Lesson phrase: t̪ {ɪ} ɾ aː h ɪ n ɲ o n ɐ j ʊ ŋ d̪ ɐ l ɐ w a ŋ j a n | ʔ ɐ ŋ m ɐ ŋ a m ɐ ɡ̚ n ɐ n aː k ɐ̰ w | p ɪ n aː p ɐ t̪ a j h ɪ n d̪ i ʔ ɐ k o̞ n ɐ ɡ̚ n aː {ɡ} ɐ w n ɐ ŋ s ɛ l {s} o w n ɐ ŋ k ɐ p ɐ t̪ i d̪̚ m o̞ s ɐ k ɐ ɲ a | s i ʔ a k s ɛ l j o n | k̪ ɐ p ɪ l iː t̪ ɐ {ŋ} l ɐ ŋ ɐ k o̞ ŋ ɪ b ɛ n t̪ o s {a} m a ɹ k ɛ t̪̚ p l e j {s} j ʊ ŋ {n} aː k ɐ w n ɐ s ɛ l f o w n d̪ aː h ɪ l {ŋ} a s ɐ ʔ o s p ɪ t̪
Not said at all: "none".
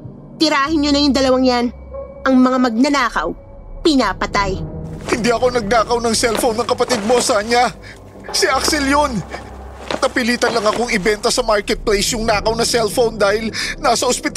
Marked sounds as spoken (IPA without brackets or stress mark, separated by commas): ɪ, k, f, n, ɐ, s, n, n